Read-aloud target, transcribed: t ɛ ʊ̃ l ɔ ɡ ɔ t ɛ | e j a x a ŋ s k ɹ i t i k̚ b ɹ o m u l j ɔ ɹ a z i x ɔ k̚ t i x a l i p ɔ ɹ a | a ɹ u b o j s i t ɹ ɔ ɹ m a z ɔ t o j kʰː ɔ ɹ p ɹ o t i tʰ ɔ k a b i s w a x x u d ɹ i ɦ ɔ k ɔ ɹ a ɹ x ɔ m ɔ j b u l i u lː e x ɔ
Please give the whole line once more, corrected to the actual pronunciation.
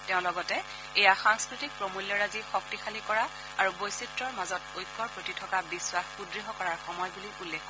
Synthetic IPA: t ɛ ʊ̃ l ɔ ɡ ɔ t ɛ | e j a x a ŋ s k ɹ i t i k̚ p ɹ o m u l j ɔ ɹ a z i x ɔ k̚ t i x a l i k ɔ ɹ a | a ɹ u b o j s i t ɹ ɔ ɹ m a z ɔ t o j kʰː ɔ ɹ p ɹ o t i tʰ ɔ k a b i s w a x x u d ɹ i ɦ ɔ k ɔ ɹ a ɹ x ɔ m ɔ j b u l i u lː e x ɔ

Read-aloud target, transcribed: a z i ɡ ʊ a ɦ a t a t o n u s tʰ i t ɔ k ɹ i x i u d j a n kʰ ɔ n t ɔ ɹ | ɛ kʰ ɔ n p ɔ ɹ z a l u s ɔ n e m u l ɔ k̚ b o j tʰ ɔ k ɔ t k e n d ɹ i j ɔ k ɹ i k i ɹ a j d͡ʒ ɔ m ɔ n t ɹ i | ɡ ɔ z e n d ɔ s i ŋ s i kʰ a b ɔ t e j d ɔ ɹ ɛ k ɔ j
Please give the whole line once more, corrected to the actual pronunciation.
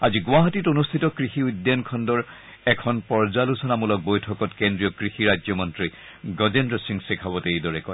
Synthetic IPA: a z i ɡ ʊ a ɦ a t i t o n u s tʰ i t ɔ k ɹ i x i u d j a n kʰ ɔ n d ɔ ɹ | ɛ kʰ ɔ n p ɔ ɹ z a l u s ɔ n a m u l ɔ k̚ b o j tʰ ɔ k ɔ t k e n d ɹ i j ɔ k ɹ i x i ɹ a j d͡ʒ ɔ m ɔ n t ɹ i | ɡ ɔ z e n d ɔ s i ŋ s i kʰ a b ɔ t e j d ɔ ɹ ɛ k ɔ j

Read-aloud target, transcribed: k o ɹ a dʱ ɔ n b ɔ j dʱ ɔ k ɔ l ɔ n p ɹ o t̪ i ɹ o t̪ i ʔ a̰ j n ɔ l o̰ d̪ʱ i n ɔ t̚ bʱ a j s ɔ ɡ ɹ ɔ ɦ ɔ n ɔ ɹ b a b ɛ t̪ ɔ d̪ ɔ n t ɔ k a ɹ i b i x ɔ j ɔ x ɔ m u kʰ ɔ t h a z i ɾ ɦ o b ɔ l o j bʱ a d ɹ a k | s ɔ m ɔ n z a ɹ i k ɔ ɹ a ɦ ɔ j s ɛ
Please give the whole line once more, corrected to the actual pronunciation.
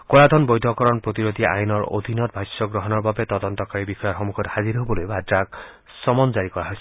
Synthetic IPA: k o ɹ a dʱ ɔ n b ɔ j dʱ ɔ k ɔ ɹ ɔ n p ɹ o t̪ i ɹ o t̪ i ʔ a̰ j n ɔ ɹ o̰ d̪ʱ i n ɔ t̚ bʱ a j s ɔ ɡ ɹ ɔ ɦ ɔ n ɔ ɹ b a b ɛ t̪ ɔ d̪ ɔ n t ɔ k a ɹ i b i x ɔ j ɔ x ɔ m u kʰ ɔ t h a z i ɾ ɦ o b ɔ l o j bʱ a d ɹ a k | s ɔ m ɔ n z a ɹ i k ɔ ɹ a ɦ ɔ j s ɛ

